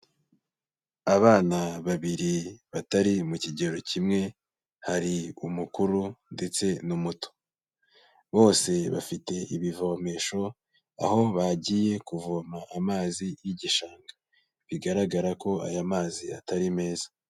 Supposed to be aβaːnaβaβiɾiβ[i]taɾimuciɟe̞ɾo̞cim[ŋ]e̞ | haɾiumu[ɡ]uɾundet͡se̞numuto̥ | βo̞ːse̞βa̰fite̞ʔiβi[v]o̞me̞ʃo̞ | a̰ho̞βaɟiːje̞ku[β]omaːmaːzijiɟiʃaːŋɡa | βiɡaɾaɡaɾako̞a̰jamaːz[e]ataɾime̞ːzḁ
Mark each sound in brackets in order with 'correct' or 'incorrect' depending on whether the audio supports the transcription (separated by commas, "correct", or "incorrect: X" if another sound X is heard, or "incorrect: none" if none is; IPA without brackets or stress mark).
incorrect: a, correct, incorrect: k, correct, incorrect: v, incorrect: i